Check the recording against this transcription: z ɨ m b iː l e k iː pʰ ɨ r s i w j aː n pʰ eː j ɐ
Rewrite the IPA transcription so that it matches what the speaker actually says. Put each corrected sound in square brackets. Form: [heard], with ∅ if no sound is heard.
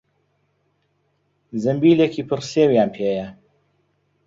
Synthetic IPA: z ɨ m b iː l e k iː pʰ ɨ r s [e] w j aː n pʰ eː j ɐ